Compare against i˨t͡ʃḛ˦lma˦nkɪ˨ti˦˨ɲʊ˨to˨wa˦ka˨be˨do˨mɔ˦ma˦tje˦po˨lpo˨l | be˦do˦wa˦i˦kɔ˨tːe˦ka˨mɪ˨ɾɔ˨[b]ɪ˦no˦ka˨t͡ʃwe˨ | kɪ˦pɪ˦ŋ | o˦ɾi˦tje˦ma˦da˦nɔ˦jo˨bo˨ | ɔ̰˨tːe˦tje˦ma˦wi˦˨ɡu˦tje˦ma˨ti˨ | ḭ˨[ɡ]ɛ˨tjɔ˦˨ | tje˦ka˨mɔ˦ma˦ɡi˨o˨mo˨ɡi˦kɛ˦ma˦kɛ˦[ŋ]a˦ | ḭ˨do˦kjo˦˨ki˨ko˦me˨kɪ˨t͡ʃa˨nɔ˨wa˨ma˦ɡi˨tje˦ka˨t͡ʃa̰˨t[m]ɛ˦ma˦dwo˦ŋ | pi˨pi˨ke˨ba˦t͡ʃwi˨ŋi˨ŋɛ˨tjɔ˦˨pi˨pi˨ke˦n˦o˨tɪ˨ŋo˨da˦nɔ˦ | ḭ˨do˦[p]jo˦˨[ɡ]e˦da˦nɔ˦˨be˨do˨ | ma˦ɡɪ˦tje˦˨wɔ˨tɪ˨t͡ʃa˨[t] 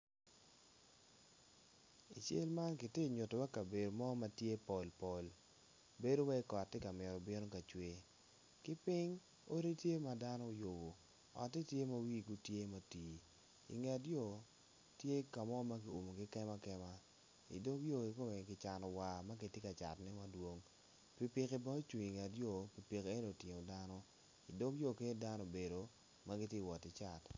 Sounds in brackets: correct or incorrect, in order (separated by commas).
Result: correct, incorrect, incorrect, incorrect, incorrect, incorrect, correct